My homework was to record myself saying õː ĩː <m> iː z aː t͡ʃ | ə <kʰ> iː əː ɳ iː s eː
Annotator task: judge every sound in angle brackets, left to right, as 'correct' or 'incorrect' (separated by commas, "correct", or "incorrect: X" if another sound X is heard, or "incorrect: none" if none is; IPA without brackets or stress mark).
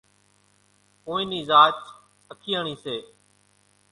incorrect: n, correct